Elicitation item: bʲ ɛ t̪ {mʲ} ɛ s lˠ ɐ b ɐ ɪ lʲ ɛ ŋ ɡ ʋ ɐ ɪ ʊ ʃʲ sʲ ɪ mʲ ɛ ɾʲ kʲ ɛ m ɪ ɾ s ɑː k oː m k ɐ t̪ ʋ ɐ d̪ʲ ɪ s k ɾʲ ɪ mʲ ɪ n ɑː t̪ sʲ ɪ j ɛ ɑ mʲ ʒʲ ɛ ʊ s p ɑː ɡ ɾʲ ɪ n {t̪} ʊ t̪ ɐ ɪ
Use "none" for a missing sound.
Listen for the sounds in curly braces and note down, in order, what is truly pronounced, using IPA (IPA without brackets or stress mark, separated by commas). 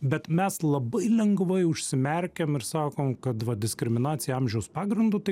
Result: mʲ, d̪